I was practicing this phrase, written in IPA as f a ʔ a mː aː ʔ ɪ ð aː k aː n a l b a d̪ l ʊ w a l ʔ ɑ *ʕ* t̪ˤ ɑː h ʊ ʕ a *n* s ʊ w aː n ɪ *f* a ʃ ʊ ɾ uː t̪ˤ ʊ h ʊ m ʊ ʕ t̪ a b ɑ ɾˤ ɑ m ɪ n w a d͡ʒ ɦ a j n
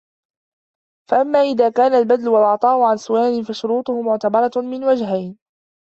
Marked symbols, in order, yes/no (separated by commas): yes, yes, yes